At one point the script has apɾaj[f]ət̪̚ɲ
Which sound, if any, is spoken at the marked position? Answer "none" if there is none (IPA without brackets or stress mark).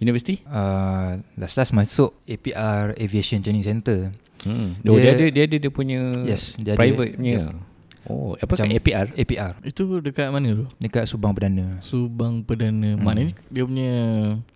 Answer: v